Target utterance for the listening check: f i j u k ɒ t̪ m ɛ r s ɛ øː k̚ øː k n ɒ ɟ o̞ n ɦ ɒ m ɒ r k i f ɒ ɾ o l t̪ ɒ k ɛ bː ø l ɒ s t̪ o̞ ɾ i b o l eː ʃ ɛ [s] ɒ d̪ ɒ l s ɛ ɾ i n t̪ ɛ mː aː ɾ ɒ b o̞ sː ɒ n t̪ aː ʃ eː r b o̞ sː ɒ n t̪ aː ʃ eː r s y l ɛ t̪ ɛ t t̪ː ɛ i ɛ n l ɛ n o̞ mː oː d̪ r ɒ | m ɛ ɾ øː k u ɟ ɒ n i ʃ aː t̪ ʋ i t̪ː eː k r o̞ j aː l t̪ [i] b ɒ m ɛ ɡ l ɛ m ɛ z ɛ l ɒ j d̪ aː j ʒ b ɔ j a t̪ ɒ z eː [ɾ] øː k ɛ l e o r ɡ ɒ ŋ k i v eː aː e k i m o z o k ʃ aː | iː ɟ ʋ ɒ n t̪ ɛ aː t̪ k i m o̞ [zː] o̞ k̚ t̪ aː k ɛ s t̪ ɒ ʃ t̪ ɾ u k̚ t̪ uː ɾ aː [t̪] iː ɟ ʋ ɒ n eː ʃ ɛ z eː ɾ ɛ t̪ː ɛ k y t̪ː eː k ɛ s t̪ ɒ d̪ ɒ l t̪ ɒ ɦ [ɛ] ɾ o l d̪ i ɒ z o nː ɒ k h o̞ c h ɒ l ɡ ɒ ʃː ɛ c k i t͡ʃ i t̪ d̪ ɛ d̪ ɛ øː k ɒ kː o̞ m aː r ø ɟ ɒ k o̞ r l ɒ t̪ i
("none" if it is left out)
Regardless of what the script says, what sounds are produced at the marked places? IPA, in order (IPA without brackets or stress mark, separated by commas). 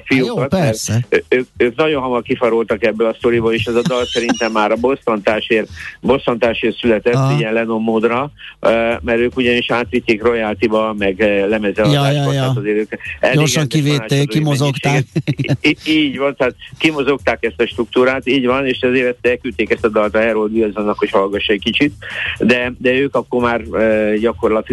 z, i, ɾ, z, t̪, ɛ